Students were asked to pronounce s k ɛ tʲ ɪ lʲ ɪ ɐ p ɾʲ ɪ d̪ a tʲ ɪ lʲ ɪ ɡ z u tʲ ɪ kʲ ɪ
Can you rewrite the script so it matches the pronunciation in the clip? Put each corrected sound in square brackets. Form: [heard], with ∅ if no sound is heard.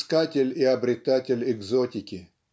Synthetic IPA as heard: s k [a] tʲ ɪ lʲ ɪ ɐ [b] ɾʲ ɪ [t̪] a tʲ ɪ lʲ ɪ ɡ z [o] tʲ ɪ kʲ ɪ